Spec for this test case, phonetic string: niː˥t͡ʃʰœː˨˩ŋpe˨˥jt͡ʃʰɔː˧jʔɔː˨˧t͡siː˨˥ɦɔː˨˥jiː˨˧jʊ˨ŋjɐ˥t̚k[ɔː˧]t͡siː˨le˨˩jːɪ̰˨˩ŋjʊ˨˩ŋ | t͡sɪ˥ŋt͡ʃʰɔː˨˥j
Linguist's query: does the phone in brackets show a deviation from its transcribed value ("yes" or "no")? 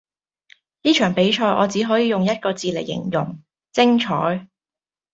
no